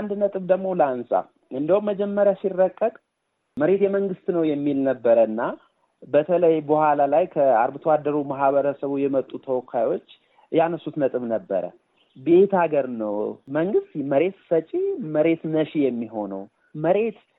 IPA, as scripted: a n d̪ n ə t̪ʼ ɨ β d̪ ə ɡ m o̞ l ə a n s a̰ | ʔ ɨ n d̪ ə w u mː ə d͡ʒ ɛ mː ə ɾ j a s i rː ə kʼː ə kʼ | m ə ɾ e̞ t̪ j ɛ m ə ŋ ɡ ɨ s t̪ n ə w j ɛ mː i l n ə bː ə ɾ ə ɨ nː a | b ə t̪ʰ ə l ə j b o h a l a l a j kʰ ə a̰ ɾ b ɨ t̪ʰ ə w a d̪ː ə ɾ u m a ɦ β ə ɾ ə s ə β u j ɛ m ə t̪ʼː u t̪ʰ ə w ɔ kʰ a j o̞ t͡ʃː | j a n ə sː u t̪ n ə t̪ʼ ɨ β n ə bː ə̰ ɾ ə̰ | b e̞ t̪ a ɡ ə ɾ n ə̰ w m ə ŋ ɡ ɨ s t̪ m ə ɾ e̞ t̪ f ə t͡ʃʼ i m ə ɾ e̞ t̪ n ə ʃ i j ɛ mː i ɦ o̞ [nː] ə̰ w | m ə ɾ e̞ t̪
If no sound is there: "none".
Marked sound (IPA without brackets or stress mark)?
n